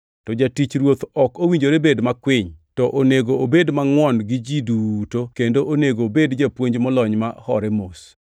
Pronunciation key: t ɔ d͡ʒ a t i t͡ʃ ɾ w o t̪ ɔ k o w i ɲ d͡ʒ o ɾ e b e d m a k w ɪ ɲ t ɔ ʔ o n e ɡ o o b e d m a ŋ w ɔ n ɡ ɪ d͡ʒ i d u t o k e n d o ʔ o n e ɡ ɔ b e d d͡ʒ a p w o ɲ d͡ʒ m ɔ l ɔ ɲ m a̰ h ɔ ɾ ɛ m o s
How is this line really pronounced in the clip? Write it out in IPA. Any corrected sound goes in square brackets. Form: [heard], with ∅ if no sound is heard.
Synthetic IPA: t ɔ d͡ʒ a t i t͡ʃ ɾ w o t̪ ɔ k o w i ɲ d͡ʒ o ɾ e b e d m a k w ɪ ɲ t ɔ ʔ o n e ɡ o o b e d m a ŋ w ɔ n ɡ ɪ d͡ʒ i d u t o k e n d o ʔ o n e ɡ [o] b e d d͡ʒ a p w o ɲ d͡ʒ m ɔ l ɔ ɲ m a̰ h ɔ ɾ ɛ m o s